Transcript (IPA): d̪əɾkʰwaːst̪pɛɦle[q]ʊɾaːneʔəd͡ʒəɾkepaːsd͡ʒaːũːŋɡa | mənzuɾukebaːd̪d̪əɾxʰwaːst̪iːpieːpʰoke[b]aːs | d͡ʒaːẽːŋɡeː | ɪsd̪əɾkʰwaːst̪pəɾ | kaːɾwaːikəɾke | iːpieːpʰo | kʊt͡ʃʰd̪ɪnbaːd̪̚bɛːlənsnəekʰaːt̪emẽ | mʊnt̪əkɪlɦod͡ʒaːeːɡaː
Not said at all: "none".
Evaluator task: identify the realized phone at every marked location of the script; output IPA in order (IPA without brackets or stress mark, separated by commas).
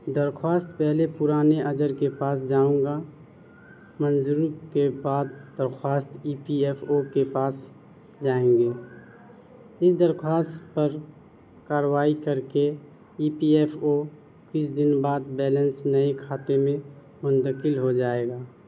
p, p